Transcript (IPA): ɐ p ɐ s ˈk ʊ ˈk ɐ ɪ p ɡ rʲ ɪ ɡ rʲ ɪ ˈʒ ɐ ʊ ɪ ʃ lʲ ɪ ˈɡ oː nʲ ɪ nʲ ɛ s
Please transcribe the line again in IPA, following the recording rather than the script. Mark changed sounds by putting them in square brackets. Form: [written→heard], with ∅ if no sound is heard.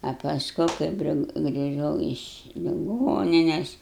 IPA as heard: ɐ p ɐ s ˈk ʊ ˈk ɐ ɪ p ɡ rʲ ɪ ɡ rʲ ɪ ˈʒ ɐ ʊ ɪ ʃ lʲ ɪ ˈɡ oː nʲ ɪ nʲ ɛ s